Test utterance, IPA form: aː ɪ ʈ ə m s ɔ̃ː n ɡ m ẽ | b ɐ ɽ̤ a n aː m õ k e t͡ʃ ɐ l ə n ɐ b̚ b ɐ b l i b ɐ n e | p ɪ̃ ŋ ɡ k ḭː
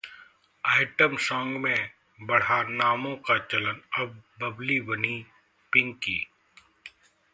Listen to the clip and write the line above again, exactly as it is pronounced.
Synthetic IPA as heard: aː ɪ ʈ ə m s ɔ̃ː ŋ ɡ m ẽ | b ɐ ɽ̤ a n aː m õ k a t͡ʃ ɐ l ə n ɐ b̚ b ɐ b l i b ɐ n i | p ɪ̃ ŋ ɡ k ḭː